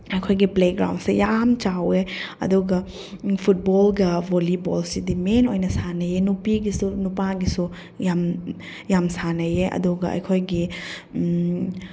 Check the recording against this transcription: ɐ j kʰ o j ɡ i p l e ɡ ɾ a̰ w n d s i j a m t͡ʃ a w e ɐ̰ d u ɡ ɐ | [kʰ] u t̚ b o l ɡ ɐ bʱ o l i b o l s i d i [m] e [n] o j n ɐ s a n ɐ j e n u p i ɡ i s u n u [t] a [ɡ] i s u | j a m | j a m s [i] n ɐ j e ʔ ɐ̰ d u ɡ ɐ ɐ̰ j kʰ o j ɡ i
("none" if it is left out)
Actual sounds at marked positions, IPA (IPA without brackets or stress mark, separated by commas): pʰ, m, n, p, ɡ, a